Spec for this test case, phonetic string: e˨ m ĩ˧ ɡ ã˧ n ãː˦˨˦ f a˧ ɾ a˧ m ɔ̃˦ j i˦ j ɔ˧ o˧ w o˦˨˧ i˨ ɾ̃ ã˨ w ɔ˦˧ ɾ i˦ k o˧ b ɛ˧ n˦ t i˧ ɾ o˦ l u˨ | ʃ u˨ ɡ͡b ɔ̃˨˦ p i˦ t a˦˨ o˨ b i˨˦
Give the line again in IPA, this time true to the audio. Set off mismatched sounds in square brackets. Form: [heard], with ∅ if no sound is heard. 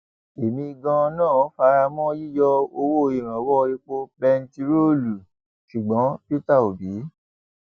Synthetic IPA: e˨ m ĩ˧ ɡ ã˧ n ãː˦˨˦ f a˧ ɾ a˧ m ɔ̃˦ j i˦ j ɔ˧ o˧ w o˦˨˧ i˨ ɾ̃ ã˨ w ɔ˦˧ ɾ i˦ [k͡p] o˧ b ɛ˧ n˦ t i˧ ɾ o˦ l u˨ | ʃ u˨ ɡ͡b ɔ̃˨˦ p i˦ t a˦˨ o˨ b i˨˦